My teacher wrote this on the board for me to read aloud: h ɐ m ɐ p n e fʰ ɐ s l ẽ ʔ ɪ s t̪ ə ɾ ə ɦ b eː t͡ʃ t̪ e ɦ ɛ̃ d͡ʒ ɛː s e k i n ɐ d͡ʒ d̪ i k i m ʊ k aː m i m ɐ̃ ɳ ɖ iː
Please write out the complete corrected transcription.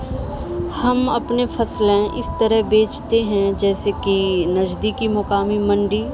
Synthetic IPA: h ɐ m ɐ p n e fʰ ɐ s l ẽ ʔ ɪ s t̪ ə ɾ ə ɦ b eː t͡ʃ t̪ e ɦ ɛ̃ d͡ʒ ɛː s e k i n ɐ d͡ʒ d̪ i k i m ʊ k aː m i m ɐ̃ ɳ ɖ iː